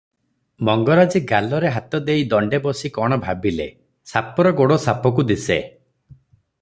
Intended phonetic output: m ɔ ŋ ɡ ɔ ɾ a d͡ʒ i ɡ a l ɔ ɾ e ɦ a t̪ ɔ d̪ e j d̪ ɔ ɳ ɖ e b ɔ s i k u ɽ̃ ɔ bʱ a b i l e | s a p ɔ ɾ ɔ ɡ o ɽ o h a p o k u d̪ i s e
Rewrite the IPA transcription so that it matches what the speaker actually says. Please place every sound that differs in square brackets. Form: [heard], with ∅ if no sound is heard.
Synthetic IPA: m ɔ ŋ ɡ ɔ ɾ a d͡ʒ i ɡ a l ɔ ɾ e ɦ a t̪ ɔ d̪ e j d̪ ɔ ɳ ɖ e b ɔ s i k [ɔ] ɽ̃ ɔ bʱ a b i l e | s a p ɔ ɾ ɔ ɡ o ɽ o [s] a p [ɔ] k u d̪ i s e